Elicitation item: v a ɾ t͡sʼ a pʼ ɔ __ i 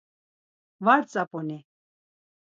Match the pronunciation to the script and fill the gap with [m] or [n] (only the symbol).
n